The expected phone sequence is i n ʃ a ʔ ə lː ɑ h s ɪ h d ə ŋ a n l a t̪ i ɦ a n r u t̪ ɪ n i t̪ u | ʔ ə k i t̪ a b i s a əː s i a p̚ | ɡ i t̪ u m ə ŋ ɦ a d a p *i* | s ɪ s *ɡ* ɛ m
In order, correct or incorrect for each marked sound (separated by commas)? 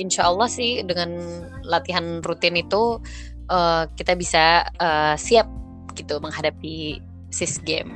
correct, correct